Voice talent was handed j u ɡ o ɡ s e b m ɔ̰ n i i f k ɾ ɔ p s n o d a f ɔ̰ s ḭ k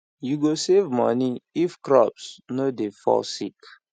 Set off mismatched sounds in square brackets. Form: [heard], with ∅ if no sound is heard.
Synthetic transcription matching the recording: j u ɡ o [∅] s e [v] m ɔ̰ n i i f k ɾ ɔ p s n o d [e] f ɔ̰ s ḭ k

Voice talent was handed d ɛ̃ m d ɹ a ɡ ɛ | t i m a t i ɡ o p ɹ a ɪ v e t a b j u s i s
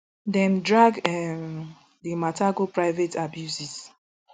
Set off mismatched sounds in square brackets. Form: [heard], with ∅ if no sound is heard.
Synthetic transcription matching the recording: d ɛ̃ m d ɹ a ɡ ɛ | [d] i m a t [a] ɡ o p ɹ a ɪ v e t a b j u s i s

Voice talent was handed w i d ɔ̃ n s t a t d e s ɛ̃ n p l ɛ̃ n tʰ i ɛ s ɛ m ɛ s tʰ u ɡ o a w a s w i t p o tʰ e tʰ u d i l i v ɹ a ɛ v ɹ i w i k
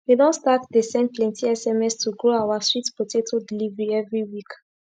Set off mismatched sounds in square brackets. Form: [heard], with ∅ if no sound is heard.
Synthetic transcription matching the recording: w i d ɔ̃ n s t a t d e s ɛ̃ n p l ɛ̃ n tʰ i ɛ s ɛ m ɛ s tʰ u ɡ o a w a s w i t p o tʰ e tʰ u d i l i v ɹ [i] ɛ v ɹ i w i k

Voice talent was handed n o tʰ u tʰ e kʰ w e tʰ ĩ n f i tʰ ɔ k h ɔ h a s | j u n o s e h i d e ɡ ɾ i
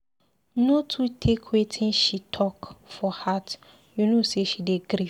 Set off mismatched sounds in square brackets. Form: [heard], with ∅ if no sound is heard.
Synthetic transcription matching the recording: n o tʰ u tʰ e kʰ w e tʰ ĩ n [ʃ] i tʰ ɔ k [f] ɔ h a [t] | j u n o s e [ʃ] i d e ɡ ɾ i

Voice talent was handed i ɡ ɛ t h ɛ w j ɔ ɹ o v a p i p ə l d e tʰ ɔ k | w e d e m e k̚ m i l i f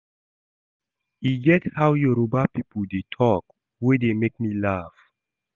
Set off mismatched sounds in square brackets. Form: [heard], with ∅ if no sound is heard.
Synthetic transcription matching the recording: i ɡ ɛ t h [a] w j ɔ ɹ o [b] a p i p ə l d e tʰ ɔ k | w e d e m e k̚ m i l [a] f

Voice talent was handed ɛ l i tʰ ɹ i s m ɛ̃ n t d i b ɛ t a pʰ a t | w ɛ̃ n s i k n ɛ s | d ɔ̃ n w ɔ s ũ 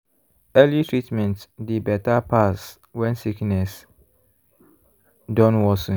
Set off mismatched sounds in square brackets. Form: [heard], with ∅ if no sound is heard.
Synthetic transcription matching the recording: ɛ l i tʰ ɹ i [t] m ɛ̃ n t d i b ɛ t a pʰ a [s] | w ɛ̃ n s i k n ɛ s | d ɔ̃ n w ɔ s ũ

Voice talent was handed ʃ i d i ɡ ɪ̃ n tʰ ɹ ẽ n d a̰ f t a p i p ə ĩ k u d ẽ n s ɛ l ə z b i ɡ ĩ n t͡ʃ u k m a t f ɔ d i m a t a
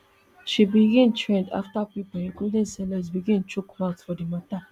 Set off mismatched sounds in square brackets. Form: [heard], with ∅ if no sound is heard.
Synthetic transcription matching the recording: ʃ i [b] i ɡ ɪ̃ n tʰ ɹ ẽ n d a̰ f t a p i p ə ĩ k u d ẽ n s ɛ l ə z b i ɡ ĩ n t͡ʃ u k m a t f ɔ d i m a t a

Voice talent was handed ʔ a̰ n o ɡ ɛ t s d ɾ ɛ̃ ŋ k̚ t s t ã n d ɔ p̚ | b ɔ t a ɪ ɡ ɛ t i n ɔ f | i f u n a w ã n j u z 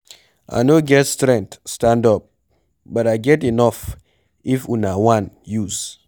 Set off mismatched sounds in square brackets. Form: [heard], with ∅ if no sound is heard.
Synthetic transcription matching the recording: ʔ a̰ n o ɡ ɛ t s [t] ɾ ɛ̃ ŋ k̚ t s t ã n d ɔ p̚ | b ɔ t a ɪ ɡ ɛ t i n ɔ f | i f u n a w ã n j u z

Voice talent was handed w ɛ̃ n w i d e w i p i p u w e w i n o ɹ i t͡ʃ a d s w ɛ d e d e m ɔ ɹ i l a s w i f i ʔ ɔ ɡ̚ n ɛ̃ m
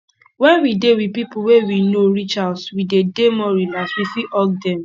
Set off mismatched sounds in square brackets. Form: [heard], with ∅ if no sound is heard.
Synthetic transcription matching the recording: w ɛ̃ n w i d e w i p i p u w e w i n o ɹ i t͡ʃ a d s w [i] d e d e m ɔ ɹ i l a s w i f i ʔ ɔ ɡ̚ [d] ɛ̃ m

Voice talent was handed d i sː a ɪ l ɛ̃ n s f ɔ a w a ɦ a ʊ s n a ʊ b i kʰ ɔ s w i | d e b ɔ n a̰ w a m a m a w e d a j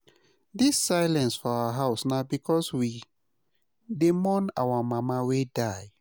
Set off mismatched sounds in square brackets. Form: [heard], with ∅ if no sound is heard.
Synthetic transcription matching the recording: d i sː a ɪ l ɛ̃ n s f ɔ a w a ɦ a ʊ s n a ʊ b i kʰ ɔ s w i | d e [m] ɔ n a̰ w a m a m a w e d a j

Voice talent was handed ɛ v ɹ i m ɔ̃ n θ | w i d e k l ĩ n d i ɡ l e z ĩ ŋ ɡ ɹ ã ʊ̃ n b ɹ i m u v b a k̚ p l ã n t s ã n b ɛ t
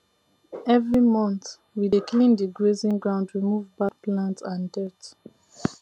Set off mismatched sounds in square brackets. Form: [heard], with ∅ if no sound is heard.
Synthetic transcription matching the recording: ɛ v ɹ i m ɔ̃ n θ | w i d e k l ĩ n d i ɡ [ɹ] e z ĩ ŋ ɡ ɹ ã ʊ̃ n [d] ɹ i m u v b a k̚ p l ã n t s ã n [d] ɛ t

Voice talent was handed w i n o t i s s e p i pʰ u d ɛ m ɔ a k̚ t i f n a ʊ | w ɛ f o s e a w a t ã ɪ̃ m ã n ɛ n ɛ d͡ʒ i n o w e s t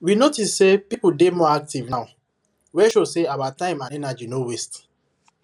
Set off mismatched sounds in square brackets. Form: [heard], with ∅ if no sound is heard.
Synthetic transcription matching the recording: w i n o t i s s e p i [p] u d [e] m ɔ a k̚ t i [v] n a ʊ | w ɛ [ʃ] o s e a w a t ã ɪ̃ m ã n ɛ n [a] d͡ʒ i n o w e s t

